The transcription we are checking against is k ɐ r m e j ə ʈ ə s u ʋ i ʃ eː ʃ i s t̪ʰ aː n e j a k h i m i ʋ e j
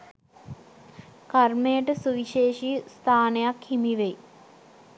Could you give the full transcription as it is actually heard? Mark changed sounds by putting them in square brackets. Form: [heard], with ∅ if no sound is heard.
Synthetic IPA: k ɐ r m e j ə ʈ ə s u ʋ i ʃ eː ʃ i s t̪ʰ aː n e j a k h i m i ʋ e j